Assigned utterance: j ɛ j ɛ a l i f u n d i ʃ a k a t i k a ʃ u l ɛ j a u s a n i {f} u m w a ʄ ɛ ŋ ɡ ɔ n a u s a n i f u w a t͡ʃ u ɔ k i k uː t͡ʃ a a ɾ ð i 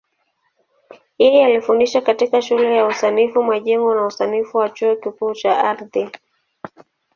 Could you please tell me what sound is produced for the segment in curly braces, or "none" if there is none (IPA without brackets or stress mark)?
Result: f